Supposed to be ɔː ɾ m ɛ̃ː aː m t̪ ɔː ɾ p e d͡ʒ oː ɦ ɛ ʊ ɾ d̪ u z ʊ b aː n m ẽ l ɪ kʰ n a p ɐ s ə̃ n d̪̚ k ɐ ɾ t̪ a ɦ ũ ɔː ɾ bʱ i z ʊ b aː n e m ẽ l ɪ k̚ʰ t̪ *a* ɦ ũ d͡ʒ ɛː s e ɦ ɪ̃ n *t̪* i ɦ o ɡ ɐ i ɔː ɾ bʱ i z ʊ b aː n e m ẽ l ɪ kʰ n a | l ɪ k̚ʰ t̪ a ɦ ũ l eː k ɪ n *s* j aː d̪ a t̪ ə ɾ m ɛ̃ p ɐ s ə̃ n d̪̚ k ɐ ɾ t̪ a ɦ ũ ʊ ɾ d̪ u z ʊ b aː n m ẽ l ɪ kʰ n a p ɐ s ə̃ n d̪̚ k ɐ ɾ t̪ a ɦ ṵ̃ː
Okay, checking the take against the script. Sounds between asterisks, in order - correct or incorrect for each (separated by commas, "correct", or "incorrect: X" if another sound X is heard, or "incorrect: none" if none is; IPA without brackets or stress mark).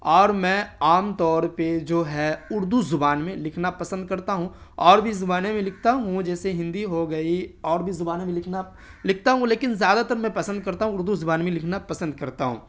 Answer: correct, incorrect: d̪, incorrect: z